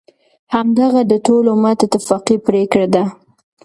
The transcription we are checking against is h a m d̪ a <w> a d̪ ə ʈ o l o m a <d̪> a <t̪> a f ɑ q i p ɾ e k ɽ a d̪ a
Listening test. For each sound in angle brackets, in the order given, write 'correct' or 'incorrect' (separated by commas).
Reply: incorrect, incorrect, correct